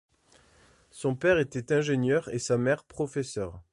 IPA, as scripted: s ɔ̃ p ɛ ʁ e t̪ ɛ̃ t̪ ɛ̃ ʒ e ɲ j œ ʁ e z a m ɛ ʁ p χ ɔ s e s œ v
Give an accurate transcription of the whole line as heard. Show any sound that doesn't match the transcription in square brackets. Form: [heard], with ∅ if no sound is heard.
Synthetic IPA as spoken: s ɔ̃ p ɛ ʁ e t̪ [ɛ] t̪ ɛ̃ ʒ e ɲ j œ ʁ e [s] a m ɛ ʁ p χ ɔ [f] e s œ [ʁ]